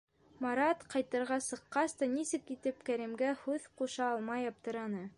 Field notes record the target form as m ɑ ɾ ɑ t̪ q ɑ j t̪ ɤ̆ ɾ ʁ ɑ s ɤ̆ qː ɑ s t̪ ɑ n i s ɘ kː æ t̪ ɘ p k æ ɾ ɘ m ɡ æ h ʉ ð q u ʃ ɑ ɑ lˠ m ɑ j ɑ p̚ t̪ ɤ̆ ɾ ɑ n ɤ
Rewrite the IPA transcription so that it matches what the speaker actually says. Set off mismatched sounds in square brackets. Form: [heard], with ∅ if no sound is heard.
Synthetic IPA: m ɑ ɾ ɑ t̪ q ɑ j t̪ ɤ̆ ɾ ʁ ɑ s ɤ̆ qː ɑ s t̪ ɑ n i s ɘ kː [i] t̪ ɘ p k æ ɾ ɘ m ɡ æ h ʉ ð q u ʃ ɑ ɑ lˠ m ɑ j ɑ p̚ t̪ ɤ̆ ɾ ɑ n ɤ